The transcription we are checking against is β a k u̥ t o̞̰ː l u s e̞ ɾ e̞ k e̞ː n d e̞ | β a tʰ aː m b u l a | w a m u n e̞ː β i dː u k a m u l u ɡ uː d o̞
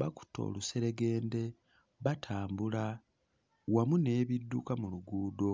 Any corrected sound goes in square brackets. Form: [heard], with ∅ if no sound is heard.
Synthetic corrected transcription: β a k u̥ t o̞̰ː l u s e̞ ɾ e̞ [ɡ] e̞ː n d e̞ | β a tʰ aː m b u l a | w a m u n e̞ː β i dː u k a m u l u ɡ uː d o̞